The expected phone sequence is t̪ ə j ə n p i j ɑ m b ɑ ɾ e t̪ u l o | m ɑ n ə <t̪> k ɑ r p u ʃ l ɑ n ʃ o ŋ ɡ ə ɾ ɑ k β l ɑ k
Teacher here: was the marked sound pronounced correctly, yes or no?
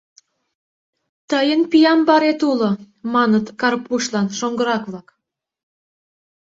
yes